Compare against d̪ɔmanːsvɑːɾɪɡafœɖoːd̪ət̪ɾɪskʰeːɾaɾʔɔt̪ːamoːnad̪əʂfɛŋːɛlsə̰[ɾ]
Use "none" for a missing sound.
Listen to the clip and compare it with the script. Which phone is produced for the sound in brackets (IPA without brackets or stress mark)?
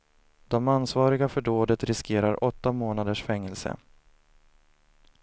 none